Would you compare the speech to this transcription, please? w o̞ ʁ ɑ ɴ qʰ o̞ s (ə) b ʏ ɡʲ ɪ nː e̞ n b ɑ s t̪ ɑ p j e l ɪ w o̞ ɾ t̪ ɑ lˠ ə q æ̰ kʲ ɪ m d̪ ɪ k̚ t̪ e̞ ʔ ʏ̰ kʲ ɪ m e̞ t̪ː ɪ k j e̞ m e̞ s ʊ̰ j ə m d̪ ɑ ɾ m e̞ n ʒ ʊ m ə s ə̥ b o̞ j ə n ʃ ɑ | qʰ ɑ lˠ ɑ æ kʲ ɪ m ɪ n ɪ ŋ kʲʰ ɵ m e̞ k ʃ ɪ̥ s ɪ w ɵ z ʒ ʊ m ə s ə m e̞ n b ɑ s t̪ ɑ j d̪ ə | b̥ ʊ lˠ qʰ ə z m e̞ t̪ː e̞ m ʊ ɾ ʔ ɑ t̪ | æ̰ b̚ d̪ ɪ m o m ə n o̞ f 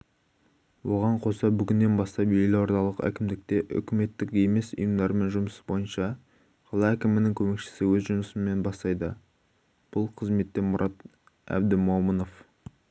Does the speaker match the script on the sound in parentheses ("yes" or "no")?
no